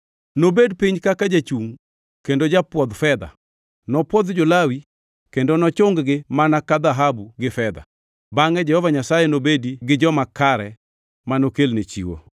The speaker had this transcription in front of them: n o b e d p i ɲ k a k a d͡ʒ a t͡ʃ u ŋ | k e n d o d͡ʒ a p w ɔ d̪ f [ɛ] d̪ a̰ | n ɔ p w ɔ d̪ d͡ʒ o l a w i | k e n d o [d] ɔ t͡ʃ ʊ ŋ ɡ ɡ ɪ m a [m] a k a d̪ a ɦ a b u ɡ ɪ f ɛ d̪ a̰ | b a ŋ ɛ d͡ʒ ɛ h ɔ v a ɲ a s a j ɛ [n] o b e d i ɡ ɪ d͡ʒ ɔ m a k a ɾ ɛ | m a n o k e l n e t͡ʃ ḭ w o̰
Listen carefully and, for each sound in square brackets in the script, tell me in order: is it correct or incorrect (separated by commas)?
correct, incorrect, incorrect, correct